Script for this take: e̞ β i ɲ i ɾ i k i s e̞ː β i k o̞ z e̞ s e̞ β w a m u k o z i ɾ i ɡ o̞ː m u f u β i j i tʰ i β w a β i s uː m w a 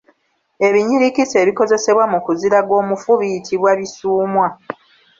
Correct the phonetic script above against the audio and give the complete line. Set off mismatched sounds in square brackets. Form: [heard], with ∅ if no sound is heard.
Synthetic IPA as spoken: e̞ β i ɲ i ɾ i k i s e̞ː β i k o̞ z e̞ s e̞ β w a m u k [u] z i ɾ [a] ɡ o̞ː m u f u β i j i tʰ i β w a β i s uː m w a